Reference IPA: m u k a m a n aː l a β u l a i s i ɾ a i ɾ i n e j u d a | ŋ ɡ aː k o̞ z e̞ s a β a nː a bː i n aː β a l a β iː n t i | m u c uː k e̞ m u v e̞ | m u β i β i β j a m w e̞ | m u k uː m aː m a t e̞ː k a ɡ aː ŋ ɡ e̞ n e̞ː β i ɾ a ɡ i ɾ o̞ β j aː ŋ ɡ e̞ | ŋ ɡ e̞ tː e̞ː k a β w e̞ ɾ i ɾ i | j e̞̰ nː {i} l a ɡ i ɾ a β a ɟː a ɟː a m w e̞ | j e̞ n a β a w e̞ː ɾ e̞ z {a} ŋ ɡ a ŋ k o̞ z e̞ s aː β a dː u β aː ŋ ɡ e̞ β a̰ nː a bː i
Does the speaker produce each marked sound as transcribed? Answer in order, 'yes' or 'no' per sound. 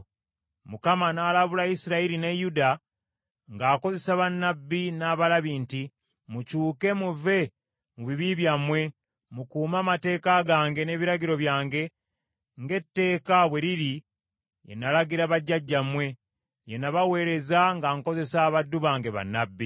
no, yes

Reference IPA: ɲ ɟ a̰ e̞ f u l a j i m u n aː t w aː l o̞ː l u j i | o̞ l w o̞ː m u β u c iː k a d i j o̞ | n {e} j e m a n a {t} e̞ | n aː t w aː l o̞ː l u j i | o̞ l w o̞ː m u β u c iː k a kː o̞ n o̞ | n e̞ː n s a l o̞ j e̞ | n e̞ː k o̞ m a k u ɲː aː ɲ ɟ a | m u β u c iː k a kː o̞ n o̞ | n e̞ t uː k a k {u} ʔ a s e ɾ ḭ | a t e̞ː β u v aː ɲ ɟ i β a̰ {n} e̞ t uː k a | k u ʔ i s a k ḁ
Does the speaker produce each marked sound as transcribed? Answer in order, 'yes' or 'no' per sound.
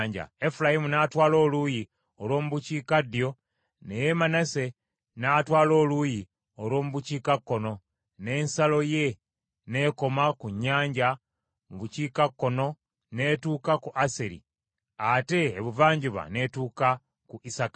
yes, no, yes, yes

